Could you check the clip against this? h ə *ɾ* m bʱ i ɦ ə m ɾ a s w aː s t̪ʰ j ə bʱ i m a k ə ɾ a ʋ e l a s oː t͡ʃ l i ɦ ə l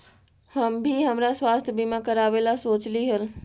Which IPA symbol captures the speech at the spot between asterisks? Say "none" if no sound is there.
none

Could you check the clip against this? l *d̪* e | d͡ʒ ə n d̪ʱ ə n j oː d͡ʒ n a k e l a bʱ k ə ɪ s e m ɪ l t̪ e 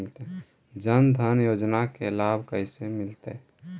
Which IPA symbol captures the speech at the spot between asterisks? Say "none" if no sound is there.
t̪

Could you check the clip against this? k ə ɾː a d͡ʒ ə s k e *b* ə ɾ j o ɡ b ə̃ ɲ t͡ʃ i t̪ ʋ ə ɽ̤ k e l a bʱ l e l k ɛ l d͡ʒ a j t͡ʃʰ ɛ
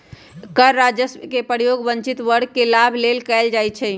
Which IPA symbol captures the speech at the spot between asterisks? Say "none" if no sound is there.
p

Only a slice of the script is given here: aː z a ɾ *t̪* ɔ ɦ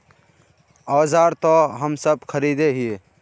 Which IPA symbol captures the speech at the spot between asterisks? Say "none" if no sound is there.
t̪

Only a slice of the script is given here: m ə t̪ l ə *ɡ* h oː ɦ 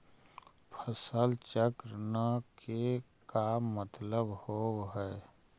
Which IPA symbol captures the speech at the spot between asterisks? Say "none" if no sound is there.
b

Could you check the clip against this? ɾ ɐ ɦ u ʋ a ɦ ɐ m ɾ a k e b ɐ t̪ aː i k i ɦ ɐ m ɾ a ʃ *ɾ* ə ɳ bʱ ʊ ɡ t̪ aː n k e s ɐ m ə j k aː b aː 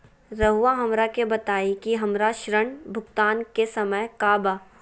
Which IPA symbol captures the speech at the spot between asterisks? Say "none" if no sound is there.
ɾ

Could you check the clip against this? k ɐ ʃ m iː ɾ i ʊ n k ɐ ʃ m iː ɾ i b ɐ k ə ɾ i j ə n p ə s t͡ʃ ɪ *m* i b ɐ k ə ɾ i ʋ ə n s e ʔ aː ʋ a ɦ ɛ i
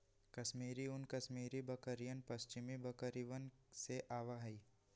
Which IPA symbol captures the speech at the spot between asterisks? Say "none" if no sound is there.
m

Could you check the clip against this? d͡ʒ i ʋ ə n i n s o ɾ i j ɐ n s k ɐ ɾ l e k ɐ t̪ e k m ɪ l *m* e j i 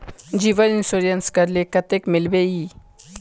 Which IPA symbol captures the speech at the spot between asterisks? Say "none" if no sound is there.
b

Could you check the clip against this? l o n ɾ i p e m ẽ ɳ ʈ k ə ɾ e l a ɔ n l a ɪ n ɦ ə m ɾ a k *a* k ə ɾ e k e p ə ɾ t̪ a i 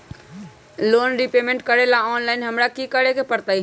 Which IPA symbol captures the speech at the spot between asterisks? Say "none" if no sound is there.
i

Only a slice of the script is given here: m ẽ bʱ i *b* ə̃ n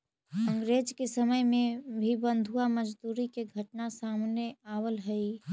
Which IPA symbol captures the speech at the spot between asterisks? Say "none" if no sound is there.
b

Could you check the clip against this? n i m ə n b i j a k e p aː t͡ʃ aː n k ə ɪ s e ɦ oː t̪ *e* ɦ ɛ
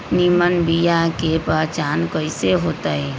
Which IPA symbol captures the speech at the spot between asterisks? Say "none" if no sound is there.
a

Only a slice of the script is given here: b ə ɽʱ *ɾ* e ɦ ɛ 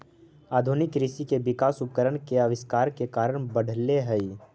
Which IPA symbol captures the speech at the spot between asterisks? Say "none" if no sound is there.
l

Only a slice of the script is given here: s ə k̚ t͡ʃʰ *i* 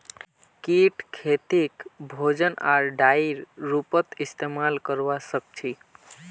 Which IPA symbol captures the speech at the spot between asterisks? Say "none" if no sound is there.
i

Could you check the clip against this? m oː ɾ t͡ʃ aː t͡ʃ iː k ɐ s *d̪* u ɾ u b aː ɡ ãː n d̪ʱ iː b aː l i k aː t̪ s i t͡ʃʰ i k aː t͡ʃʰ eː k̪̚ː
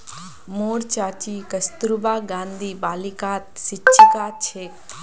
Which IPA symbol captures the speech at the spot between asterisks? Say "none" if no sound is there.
t̪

